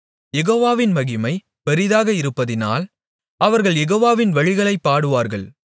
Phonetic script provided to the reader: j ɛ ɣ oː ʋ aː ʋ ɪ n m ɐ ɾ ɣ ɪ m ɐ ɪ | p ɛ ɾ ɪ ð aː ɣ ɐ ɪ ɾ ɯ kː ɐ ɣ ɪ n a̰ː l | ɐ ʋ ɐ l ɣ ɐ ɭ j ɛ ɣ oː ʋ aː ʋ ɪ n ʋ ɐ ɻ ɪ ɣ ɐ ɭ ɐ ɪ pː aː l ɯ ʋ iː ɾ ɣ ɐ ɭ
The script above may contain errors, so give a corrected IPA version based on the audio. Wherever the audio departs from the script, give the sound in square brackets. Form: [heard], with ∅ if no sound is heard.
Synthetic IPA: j ɛ ɣ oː ʋ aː ʋ ɪ n m ɐ [∅] ɣ ɪ m ɐ ɪ | p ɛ ɾ ɪ ð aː ɣ ɐ ɪ ɾ ɯ [pː] ɐ [ð] ɪ n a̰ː l | ɐ ʋ ɐ [ɾ] ɣ ɐ ɭ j ɛ ɣ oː ʋ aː ʋ ɪ n ʋ ɐ ɻ ɪ ɣ ɐ ɭ ɐ ɪ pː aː [ɽ] ɯ ʋ [aː] ɾ ɣ ɐ ɭ